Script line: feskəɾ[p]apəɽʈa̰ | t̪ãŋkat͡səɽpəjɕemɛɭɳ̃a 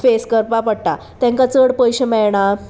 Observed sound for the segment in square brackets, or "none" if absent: p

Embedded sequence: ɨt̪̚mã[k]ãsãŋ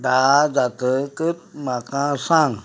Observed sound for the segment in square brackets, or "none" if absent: k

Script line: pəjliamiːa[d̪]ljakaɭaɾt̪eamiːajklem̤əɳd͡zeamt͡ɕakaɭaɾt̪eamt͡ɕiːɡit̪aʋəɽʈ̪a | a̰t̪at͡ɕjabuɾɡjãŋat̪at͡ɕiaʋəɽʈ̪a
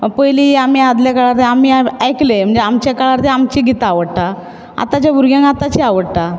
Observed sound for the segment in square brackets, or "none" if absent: d̪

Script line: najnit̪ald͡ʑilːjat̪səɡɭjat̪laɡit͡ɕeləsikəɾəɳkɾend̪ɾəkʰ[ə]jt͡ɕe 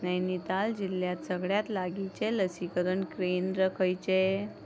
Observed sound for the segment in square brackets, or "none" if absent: ə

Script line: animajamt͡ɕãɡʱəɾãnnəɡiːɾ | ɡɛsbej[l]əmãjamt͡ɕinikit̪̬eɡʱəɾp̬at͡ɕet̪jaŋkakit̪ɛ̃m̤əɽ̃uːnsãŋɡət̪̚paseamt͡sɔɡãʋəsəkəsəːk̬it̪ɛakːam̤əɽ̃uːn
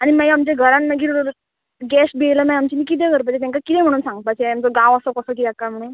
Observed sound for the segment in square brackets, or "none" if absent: l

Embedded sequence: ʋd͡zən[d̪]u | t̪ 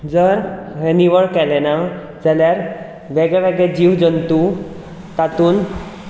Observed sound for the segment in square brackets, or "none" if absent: t̪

